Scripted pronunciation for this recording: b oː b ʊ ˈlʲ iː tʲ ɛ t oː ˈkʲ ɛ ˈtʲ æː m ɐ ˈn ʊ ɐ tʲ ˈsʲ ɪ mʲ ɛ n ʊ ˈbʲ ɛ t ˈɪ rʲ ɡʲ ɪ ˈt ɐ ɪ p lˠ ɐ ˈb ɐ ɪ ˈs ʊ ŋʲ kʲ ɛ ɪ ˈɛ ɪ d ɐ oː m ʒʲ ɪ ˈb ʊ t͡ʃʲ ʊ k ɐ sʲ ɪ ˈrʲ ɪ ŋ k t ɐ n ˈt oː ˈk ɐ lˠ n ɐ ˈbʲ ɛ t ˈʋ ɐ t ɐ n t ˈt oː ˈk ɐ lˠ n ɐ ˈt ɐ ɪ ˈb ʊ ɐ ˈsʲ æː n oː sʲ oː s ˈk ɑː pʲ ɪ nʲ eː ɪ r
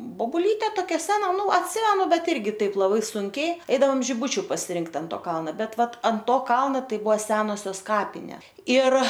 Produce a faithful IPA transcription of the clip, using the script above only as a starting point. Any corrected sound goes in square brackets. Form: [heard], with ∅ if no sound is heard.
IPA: b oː b ʊ ˈlʲ iː tʲ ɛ t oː ˈkʲ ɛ [ˈsʲ] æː [n] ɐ ˈn ʊ ɐ tʲ ˈsʲ ɪ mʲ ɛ n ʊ ˈbʲ ɛ t ˈɪ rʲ ɡʲ ɪ ˈt ɐ ɪ p lˠ ɐ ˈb ɐ ɪ ˈs ʊ ŋʲ kʲ ɛ ɪ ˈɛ ɪ d ɐ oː m ʒʲ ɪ ˈb ʊ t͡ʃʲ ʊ [p] ɐ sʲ ɪ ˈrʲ ɪ ŋ k t ɐ n ˈt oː ˈk ɐ lˠ n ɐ ˈbʲ ɛ t ˈʋ ɐ t ɐ n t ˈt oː ˈk ɐ lˠ n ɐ ˈt ɐ ɪ ˈb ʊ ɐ ˈsʲ æː n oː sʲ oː s ˈk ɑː pʲ ɪ nʲ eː ɪ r